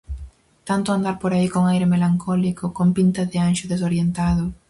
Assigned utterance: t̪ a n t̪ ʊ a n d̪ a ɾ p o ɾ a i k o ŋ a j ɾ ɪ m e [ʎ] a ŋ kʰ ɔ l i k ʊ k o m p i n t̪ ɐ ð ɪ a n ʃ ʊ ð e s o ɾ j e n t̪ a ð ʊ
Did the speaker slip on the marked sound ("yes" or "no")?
yes